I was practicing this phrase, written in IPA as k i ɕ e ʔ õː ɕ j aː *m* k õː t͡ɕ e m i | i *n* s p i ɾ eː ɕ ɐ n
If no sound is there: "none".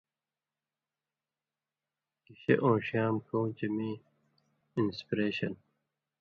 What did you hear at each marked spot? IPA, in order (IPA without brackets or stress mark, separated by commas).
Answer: m, n